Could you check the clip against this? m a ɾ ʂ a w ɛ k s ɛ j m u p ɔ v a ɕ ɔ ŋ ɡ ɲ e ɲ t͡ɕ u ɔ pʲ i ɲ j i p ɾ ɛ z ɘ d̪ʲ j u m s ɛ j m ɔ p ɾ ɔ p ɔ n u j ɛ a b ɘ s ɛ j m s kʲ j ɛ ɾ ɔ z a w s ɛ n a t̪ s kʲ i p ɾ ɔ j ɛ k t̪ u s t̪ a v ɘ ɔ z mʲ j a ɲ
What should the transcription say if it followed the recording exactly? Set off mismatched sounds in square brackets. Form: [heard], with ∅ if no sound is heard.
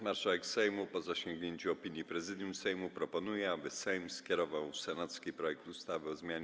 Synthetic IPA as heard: m a ɾ ʂ a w ɛ k s ɛ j m u p ɔ [z] a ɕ ɔ ŋ ɡ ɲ e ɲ t͡ɕ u ɔ pʲ i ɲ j i p ɾ ɛ z ɘ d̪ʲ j u m s ɛ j m [u] p ɾ ɔ p ɔ n u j ɛ a b ɘ s ɛ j m s kʲ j ɛ ɾ ɔ [v] a w s ɛ n a t̪ s kʲ i p ɾ ɔ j ɛ k t̪ u s t̪ a v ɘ ɔ z mʲ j a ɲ